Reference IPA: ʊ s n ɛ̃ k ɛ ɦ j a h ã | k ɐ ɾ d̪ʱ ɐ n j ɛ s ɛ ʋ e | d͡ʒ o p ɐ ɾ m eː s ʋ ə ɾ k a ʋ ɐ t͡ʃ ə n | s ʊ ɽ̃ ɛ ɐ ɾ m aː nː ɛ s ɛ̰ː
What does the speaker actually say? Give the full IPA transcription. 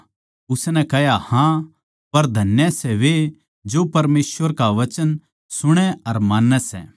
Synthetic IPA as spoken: ʊ s n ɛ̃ k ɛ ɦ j a h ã | p ɐ ɾ d̪ʱ ɐ n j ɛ s ɛ ʋ e | d͡ʒ o p ɐ ɾ m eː s ʋ ə ɾ k a ʋ ɐ t͡ʃ ə n | s ʊ ɽ̃ ɛ ɐ ɾ m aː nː ɛ s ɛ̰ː